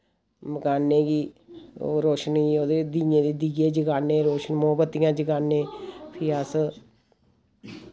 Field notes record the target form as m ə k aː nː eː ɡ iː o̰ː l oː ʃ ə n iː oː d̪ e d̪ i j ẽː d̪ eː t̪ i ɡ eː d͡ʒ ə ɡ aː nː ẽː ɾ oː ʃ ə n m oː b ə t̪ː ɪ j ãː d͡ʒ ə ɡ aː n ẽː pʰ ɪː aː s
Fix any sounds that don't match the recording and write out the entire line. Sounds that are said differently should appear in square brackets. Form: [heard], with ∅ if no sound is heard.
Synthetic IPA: m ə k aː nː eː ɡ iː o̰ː [ɾ] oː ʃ ə n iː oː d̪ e d̪ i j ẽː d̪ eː [d̪] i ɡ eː d͡ʒ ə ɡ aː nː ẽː ɾ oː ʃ ə n m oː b ə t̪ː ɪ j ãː d͡ʒ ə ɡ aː n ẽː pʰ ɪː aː s